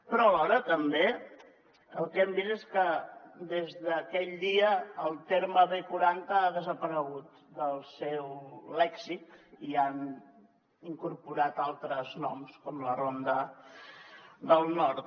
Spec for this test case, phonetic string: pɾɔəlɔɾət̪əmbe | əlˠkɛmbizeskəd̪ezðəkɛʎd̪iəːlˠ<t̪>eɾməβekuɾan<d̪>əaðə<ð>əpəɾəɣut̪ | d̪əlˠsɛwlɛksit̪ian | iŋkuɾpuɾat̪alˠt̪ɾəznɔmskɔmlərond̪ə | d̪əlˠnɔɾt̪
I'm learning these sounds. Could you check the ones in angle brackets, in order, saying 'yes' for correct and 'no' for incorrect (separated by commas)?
yes, no, no